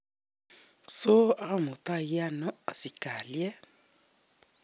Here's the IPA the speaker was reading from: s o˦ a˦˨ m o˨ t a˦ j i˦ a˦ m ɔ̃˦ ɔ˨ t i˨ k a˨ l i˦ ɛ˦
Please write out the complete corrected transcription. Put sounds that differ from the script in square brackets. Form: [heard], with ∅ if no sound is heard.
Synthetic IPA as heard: s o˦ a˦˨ m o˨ t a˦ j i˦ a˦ [n] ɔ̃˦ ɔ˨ [s] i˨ k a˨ l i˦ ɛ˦